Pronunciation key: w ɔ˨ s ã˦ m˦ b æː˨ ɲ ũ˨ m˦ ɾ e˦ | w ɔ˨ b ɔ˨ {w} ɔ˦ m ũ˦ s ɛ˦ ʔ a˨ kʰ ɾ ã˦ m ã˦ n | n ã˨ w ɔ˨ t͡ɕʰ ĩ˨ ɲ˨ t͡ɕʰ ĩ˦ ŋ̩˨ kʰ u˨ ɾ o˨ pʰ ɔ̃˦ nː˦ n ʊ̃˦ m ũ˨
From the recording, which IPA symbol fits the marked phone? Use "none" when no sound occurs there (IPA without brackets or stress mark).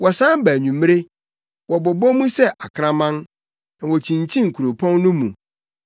b